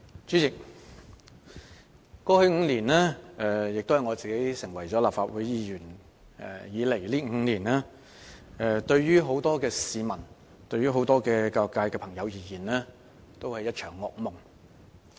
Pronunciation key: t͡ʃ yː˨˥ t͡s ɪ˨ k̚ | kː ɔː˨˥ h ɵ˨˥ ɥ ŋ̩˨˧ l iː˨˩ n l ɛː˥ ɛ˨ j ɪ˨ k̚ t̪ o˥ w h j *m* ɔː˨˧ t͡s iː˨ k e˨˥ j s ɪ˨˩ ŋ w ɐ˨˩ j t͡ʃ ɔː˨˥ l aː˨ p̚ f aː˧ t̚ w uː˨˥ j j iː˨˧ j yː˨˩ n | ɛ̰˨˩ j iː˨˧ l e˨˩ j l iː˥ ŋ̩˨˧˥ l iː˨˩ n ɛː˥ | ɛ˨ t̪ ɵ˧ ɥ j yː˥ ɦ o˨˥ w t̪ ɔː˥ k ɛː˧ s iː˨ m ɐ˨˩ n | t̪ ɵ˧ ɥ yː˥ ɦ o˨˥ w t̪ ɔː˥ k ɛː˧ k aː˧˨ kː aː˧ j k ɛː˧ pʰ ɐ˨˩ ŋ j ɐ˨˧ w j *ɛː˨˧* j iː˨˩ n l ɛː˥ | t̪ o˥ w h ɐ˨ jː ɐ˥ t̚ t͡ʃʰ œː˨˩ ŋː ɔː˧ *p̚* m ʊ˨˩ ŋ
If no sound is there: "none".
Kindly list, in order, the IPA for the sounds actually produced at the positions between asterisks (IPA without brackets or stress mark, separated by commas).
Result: ŋ, iː˨˧, k̚